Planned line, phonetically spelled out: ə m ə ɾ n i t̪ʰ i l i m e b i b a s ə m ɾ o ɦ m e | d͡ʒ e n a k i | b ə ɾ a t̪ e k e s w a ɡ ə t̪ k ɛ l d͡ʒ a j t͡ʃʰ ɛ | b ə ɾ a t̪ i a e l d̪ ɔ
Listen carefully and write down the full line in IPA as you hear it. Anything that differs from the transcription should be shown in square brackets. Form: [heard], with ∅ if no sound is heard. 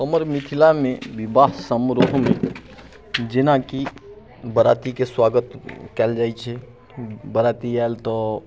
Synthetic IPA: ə m ə ɾ [m] i t̪ʰ i l [a] m e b i b a s ə m ɾ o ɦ m e | d͡ʒ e n a k i | b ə ɾ a t̪ [i] k e s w a ɡ ə t̪ k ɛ l d͡ʒ a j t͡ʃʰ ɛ | b ə ɾ a t̪ i a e l [t̪] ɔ

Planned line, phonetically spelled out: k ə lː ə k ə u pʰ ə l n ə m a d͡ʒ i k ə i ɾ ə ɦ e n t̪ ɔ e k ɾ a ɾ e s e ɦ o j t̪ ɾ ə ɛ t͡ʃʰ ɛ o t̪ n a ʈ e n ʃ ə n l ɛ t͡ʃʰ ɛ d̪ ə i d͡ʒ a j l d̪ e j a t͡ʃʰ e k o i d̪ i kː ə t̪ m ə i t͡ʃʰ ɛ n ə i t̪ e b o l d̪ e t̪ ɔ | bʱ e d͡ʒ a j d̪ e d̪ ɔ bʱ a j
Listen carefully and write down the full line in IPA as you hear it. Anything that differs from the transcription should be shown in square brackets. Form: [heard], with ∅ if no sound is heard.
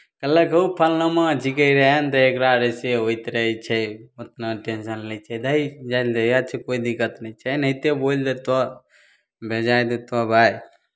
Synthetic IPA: k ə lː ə k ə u pʰ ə l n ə m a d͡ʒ i k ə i ɾ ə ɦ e n t̪ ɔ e k ɾ a ɾ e s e ɦ o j t̪ ɾ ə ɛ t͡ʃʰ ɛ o t̪ n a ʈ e n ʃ ə n l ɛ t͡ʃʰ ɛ d̪ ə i d͡ʒ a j l d̪ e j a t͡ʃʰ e k o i d̪ i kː ə t̪ [n] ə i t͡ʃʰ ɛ n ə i t̪ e b o l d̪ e t̪ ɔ | bʱ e d͡ʒ a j d̪ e [t̪] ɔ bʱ a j

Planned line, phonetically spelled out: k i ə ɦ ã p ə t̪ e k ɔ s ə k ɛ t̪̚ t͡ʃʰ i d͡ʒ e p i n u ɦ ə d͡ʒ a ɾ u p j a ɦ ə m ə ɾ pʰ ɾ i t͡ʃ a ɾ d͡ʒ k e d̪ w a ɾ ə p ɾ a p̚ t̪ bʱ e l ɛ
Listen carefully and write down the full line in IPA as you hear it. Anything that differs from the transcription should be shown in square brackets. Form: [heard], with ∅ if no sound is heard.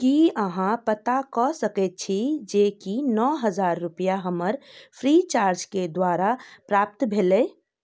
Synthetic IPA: k i ə ɦ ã p ə t̪ [a] k ɔ s ə k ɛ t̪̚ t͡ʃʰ i d͡ʒ e [k] i n [ɔ] ɦ ə d͡ʒ a [ɾː] u p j a ɦ ə m ə ɾ pʰ ɾ i t͡ʃ a ɾ d͡ʒ k e d̪ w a ɾ [a] p ɾ a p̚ t̪ bʱ e l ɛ

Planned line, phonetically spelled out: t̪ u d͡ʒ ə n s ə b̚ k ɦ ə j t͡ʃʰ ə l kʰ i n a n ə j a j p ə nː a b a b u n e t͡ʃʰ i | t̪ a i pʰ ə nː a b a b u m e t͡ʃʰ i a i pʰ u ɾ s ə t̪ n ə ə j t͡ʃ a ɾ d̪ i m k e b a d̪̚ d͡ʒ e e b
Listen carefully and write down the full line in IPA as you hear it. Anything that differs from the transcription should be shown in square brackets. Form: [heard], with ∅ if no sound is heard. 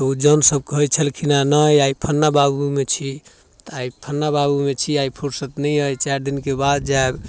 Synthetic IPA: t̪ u d͡ʒ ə n s ə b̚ k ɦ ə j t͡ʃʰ ə l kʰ i n a n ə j a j [pʰ] ə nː a b a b u [m] e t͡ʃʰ i | t̪ a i pʰ ə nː a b a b u m e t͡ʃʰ i a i pʰ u ɾ s ə t̪ n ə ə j t͡ʃ a ɾ d̪ i [n] k e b a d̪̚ d͡ʒ [a] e b

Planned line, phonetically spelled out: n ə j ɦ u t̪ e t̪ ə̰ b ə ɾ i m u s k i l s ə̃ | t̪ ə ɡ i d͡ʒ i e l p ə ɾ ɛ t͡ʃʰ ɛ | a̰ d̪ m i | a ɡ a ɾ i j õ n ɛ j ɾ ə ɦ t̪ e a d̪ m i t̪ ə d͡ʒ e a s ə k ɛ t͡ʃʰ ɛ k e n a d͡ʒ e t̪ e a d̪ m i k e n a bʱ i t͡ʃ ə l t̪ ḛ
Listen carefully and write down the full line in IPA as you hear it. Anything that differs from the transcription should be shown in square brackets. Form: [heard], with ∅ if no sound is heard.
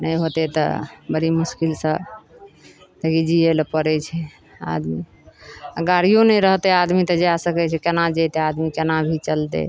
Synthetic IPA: n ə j ɦ [o] t̪ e t̪ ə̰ b ə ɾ i m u s k i l s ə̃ | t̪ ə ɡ i d͡ʒ i e l p ə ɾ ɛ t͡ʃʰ ɛ | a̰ d̪ m i | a ɡ a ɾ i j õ n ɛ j ɾ ə ɦ t̪ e a d̪ m i t̪ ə d͡ʒ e a s ə k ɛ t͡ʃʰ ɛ k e n a d͡ʒ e t̪ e a d̪ m i k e n a bʱ i t͡ʃ ə l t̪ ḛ

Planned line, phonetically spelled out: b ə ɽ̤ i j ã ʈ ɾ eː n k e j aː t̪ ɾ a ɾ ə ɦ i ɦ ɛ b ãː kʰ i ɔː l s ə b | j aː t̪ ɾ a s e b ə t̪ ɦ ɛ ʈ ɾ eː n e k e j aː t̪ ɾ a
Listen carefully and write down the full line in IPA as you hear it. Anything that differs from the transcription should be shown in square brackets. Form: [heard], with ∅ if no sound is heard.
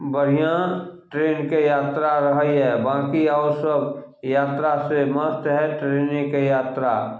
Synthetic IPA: b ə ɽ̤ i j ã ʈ ɾ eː n k e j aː t̪ ɾ a ɾ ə ɦ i ɦ ɛ b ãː [k] i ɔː [ɾ] s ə b | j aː t̪ ɾ a s e [m] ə t̪ ɦ ɛ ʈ ɾ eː n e k e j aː t̪ ɾ a

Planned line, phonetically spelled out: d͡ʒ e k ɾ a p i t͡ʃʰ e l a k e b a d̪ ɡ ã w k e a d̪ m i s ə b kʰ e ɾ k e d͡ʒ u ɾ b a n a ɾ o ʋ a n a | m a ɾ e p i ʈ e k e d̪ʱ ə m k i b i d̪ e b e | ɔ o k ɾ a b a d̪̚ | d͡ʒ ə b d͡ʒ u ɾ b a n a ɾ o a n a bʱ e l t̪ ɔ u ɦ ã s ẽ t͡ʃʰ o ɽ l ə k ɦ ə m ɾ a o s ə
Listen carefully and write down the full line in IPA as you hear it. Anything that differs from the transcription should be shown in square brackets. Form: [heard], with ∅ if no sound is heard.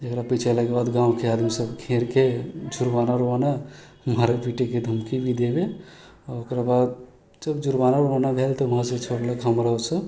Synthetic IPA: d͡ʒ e k ɾ a p i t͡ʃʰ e l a k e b a d̪ ɡ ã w k e a d̪ m i s ə b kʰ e ɾ k e d͡ʒ u ɾ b a n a ɾ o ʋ a n a | m a ɾ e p i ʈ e k e d̪ʱ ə m k i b i d̪ e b e | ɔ o k ɾ a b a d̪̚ | d͡ʒ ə b d͡ʒ u ɾ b a n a ɾ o a n a bʱ e l t̪ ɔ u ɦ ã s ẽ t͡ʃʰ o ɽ l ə k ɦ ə m ɾ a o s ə

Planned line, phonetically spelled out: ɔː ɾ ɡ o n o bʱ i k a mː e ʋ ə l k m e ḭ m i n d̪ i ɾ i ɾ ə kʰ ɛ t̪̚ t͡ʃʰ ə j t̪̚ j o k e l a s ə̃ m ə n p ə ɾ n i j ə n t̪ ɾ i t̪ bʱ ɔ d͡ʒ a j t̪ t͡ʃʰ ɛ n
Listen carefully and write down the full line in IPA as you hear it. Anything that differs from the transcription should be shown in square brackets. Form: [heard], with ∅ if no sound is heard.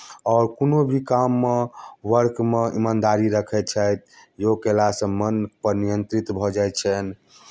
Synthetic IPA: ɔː ɾ [k] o n o bʱ i k a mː e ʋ ə [ɾ] k m e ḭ m [a] n d̪ [a] ɾ i ɾ ə kʰ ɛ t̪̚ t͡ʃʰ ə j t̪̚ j o k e l a s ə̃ m ə n p ə ɾ n i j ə n t̪ ɾ i t̪ bʱ ɔ d͡ʒ a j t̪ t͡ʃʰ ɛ n

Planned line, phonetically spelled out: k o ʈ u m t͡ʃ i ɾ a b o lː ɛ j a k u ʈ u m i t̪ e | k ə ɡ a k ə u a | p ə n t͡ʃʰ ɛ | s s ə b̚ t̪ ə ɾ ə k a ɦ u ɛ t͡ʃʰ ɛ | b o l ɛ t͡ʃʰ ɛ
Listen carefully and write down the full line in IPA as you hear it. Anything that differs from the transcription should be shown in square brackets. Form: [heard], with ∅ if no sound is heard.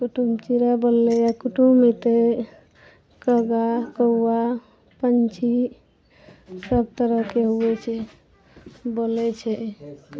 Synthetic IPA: k [u] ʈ u m t͡ʃ i ɾ a b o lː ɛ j a k u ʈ u m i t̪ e | k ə ɡ a k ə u a | p ə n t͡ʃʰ [i] | s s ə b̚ t̪ ə ɾ ə k [e] ɦ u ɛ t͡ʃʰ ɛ | b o l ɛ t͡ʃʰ ɛ

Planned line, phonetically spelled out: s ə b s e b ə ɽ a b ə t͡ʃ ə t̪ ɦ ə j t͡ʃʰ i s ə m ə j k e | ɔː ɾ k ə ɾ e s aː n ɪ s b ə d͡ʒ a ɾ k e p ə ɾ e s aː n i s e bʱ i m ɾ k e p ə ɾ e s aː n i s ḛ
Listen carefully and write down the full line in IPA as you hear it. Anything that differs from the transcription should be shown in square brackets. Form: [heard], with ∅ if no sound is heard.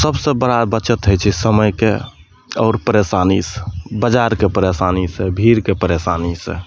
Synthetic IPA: s ə b s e b ə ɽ a b ə t͡ʃ ə t̪ ɦ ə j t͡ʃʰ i s ə m ə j k e | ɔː ɾ [p] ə ɾ e s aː n [i] s b ə d͡ʒ a ɾ k e p ə ɾ e s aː n i s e bʱ i [∅] ɾ k e p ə ɾ e s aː n i s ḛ

